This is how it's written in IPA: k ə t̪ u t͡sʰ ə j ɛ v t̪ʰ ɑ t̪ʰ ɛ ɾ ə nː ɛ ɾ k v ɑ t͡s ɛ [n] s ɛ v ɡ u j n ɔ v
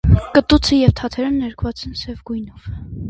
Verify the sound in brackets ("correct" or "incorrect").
correct